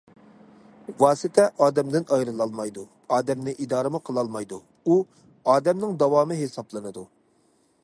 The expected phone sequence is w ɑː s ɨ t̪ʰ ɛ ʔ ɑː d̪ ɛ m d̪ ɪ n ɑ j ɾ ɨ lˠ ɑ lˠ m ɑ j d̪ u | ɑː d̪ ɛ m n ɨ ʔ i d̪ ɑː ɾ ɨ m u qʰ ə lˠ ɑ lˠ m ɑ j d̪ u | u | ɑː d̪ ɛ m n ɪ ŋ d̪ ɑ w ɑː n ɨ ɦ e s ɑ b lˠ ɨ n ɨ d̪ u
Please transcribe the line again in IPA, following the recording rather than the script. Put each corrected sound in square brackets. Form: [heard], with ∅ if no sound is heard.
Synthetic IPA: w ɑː s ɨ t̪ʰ ɛ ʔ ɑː d̪ ɛ m d̪ ɪ n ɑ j ɾ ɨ lˠ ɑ lˠ m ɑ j d̪ u | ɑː d̪ ɛ m n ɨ ʔ i d̪ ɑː ɾ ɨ m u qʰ ə lˠ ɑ lˠ m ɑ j d̪ u | u | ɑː d̪ ɛ m n ɪ ŋ d̪ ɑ w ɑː [m] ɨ ɦ e s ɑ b lˠ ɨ n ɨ d̪ u